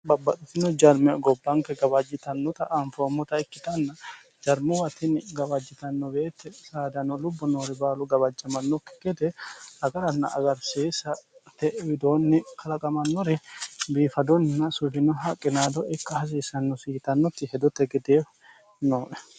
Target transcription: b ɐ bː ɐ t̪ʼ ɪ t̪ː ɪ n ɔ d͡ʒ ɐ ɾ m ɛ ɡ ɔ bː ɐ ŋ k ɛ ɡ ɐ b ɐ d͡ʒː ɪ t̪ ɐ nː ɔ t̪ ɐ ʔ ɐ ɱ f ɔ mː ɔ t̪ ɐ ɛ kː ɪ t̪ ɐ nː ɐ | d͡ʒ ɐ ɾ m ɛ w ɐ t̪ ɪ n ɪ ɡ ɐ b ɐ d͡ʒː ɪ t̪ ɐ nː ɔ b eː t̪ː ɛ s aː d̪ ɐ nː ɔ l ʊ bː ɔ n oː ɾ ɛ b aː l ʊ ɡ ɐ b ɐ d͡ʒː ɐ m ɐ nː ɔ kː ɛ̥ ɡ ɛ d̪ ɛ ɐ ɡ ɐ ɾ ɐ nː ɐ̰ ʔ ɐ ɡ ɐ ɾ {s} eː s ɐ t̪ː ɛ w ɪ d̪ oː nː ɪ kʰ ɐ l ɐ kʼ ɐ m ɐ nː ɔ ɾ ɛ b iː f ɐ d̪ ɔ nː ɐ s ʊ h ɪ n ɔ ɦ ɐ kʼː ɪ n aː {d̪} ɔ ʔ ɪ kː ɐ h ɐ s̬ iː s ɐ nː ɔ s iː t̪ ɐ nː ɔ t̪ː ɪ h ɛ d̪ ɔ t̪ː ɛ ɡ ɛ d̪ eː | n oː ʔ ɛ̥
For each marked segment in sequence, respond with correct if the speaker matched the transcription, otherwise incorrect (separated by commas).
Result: correct, correct